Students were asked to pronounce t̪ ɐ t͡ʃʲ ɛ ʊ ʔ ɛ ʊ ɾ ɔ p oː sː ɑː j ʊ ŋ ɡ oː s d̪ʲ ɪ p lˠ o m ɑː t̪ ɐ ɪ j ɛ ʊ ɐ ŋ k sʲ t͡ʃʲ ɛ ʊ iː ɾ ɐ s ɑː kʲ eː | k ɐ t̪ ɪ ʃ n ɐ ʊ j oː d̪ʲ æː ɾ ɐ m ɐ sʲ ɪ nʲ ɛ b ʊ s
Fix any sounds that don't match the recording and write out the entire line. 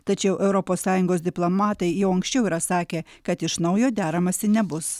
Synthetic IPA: t̪ ɐ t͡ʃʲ ɛ ʊ ʔ ɛ ʊ ɾ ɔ p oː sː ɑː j ʊ ŋ ɡ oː s d̪ʲ ɪ p lˠ o m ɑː t̪ ɐ ɪ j ɛ ʊ ɐ ŋ k sʲ t͡ʃʲ ɛ ʊ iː ɾ ɐ s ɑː kʲ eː | k ɐ t̪ ɪ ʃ n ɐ ʊ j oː d̪ʲ æː ɾ ɐ m ɐ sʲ ɪ nʲ ɛ b ʊ s

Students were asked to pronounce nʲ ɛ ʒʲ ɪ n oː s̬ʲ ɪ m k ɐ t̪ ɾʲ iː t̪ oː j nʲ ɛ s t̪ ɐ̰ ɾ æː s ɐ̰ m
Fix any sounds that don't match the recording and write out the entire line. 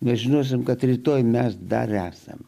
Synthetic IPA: nʲ ɛ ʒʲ ɪ n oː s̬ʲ ɪ m k ɐ t̪ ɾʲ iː t̪ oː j mʲ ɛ s d̪ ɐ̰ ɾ æː s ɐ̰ m

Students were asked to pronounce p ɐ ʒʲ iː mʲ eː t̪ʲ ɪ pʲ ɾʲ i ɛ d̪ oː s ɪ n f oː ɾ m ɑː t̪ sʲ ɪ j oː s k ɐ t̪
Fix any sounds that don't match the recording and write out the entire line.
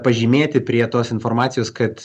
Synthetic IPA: p ɐ ʒʲ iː mʲ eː t̪ʲ ɪ pʲ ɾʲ i ɛ t̪ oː s ɪ n f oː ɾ m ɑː t̪ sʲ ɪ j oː s k ɐ t̪

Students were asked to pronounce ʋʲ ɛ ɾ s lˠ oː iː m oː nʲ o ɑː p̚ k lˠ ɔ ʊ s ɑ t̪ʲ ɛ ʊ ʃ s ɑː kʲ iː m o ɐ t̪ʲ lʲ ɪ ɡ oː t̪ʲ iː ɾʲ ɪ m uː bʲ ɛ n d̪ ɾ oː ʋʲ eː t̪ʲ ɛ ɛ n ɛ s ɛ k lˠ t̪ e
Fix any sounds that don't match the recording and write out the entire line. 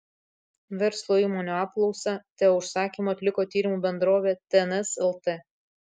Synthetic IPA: ʋʲ ɛ ɾ s lˠ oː iː m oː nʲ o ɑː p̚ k lˠ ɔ ʊ s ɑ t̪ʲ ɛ ʊ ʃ s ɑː kʲ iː m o ɐ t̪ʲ lʲ ɪ k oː t̪ʲ iː ɾʲ ɪ m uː bʲ ɛ n d̪ ɾ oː ʋʲ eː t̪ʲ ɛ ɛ n ɛ s ɛ lˠ t̪ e

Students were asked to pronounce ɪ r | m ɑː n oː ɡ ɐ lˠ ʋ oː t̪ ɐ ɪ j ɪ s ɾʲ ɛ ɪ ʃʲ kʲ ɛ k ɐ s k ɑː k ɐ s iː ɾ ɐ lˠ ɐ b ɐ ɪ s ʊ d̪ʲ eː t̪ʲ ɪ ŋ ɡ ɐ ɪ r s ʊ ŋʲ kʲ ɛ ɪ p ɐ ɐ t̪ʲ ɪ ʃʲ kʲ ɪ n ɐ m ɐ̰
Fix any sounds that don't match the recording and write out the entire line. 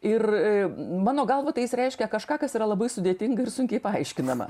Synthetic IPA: ɪ r | m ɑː n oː ɡ ɐ lˠ ʋ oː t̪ ɐ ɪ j ɪ s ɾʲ ɛ ɪ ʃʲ kʲ ɛ k ɐ ʃ k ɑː k ɐ s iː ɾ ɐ lˠ ɐ b ɐ ɪ s ʊ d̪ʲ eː t̪ʲ ɪ ŋ ɡ ɐ ɪ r s ʊ ŋʲ kʲ ɛ ɪ p ɐ ɐ ɪ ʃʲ kʲ ɪ n ɐ m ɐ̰

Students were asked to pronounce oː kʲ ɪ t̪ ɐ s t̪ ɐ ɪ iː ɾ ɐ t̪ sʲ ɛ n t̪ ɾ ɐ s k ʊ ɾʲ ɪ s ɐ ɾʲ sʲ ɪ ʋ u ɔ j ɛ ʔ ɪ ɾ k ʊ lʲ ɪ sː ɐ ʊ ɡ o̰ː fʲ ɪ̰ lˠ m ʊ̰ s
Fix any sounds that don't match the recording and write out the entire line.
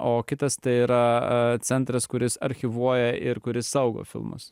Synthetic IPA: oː kʲ ɪ t̪ ɐ s t̪ ɐ ɪ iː ɾ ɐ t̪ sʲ ɛ n t̪ ɾ ɐ s k ʊ ɾʲ ɪ s ɐ ɾʲ xʲ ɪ ʋ u ɔ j ɛ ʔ ɪ ɾ k ʊ ɾʲ ɪ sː ɐ ʊ ɡ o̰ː fʲ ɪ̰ lˠ m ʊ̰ s

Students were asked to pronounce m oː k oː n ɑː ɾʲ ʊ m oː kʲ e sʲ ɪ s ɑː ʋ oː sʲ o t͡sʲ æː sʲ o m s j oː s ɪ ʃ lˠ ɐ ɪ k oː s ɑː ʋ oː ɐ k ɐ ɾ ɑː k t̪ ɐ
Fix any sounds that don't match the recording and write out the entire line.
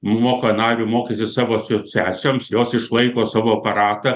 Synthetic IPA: m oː k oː n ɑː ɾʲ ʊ m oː kʲ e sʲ ɪ s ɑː ʋ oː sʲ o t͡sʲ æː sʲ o m s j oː s ɪ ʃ lˠ ɐ ɪ k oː s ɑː ʋ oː ɐ p ɐ ɾ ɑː t̪ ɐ

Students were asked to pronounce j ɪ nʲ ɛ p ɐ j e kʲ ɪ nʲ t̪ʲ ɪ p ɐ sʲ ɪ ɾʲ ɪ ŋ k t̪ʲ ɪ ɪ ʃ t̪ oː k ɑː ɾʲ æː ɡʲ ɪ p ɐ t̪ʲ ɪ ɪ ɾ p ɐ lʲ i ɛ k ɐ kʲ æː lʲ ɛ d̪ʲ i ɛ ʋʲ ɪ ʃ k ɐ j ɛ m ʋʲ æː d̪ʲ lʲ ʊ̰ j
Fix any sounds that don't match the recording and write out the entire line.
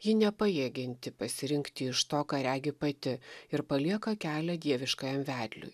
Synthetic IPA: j ɪ nʲ ɛ p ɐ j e ɡʲ ɪ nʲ t̪ʲ ɪ p ɐ sʲ ɪ ɾʲ ɪ ŋ k t̪ʲ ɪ ɪ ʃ t̪ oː k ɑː ɾʲ æː ɡʲ ɪ p ɐ t̪ʲ ɪ ɪ ɾ p ɐ lʲ i ɛ k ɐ kʲ æː lʲ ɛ d̪ʲ i ɛ ʋʲ ɪ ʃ k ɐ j ɛ m ʋʲ æː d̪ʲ lʲ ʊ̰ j

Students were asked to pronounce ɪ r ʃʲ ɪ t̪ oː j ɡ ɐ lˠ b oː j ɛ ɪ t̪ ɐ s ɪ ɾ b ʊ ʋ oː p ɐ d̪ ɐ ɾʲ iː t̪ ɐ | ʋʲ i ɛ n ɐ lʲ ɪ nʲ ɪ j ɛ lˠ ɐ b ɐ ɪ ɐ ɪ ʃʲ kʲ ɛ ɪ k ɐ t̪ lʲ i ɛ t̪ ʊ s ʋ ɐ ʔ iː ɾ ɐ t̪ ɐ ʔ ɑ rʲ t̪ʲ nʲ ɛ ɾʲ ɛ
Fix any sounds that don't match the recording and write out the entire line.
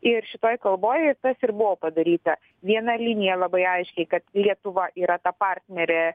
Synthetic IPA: ɪ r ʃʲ ɪ t̪ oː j k ɐ lˠ b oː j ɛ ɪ t̪ ɐ s ɪ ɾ b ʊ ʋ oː p ɐ d̪ ɐ ɾʲ iː t̪ ɐ | ʋʲ i ɛ n ɐ lʲ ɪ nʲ ɪ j ɛ lˠ ɐ b ɐ ɪ ɐ ɪ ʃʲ kʲ ɛ ɪ k ɐ t̪ lʲ i ɛ t̪ ʊ ʋ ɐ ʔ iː ɾ ɐ t̪ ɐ p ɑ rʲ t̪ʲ nʲ ɛ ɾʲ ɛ

